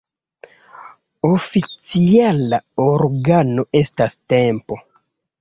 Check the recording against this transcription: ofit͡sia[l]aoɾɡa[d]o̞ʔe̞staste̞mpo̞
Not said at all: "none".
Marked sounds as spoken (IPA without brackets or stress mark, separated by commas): l, n